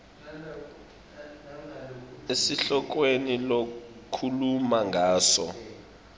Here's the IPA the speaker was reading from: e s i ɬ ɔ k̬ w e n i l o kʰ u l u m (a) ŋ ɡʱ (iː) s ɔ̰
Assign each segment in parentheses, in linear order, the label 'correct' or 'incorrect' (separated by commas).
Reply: correct, incorrect